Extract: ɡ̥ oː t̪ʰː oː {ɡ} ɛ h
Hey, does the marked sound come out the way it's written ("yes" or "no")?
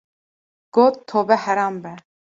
no